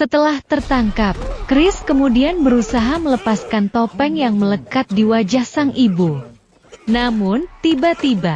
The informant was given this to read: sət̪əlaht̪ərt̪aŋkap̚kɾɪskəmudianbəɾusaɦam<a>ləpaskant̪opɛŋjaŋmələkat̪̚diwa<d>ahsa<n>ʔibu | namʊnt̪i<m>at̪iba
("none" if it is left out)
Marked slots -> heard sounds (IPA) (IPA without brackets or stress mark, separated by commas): ə, d͡ʒ, ŋ, b